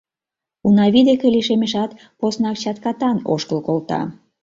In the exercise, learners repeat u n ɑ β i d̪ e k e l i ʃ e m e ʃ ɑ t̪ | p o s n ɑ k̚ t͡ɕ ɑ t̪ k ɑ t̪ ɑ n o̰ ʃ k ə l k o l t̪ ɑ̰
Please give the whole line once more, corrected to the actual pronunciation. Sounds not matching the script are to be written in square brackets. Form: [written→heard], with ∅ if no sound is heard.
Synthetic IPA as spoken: u n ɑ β i d̪ e k e l i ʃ e m e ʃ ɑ t̪ | p o s n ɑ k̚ t͡ɕ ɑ t̪ k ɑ t̪ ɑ n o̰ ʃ k ə l k o l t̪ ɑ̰